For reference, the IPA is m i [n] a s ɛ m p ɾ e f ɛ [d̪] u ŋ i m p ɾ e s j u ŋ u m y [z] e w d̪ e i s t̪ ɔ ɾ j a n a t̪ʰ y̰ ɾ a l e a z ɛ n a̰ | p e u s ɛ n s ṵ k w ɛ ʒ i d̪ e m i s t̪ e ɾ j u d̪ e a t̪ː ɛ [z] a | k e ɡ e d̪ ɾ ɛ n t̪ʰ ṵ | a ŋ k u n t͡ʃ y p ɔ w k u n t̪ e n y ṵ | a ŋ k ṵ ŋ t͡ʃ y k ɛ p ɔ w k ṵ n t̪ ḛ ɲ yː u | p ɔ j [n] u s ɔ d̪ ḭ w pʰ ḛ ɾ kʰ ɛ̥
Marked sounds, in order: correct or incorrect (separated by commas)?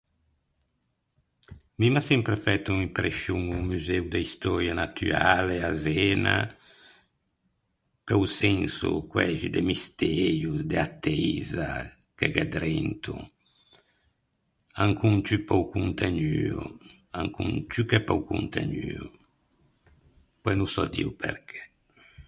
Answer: incorrect, incorrect, correct, correct, correct